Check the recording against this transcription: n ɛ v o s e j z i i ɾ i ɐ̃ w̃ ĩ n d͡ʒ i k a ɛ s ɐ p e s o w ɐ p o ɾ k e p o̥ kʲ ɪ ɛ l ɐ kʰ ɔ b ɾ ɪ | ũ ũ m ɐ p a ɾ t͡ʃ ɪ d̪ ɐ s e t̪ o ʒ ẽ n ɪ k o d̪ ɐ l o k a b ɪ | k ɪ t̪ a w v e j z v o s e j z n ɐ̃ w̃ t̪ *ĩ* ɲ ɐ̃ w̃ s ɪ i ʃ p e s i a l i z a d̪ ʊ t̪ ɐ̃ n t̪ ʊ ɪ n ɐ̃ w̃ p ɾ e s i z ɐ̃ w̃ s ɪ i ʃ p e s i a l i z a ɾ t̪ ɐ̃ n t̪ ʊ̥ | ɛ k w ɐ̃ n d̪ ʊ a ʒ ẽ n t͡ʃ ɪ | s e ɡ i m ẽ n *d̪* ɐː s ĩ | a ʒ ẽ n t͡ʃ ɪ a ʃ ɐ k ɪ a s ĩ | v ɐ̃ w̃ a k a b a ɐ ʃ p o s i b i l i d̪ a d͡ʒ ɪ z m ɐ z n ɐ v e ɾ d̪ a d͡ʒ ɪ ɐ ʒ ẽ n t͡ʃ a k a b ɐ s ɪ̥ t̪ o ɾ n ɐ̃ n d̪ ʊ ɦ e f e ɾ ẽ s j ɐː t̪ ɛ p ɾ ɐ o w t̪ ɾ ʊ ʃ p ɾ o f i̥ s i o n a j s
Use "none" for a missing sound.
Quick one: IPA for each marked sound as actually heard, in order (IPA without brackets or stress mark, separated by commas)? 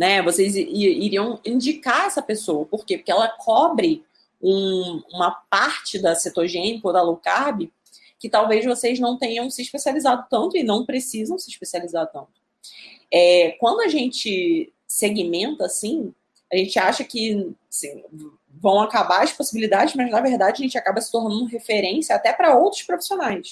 ẽ, t̪